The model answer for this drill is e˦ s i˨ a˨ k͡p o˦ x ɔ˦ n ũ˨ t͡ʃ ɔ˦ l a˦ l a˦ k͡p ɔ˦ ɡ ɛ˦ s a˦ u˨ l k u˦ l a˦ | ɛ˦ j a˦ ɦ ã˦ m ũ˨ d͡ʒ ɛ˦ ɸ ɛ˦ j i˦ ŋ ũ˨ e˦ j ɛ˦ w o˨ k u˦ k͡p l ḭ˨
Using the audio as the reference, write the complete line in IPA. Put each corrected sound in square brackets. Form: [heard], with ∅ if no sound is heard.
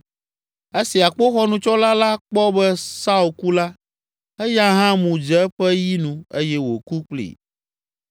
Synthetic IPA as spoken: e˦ s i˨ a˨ k͡p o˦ x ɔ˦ n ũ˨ t͡ʃ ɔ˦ l a˦ l a˦ k͡p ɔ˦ [b] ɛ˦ s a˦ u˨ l k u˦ l a˦ | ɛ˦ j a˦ ɦ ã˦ m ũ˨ d͡ʒ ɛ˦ ɸ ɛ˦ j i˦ [n] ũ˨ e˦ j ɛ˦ w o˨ k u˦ k͡p l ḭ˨